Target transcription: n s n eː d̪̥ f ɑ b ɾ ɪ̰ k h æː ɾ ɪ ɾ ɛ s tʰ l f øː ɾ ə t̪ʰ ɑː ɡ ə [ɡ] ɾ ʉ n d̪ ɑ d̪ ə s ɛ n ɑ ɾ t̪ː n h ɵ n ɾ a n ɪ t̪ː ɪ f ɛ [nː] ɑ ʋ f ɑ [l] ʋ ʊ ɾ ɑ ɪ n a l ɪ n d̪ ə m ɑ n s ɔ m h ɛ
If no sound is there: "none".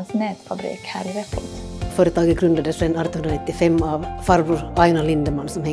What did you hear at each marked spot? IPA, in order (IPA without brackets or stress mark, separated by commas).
ɡ, mː, ɾ